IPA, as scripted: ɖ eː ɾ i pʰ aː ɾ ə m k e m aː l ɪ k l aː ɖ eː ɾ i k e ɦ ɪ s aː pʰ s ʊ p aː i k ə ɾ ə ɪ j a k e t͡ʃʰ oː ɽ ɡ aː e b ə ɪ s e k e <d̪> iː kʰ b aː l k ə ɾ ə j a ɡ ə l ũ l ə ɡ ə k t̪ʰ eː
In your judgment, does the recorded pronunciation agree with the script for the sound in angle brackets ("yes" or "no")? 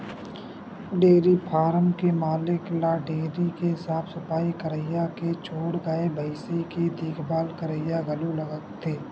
yes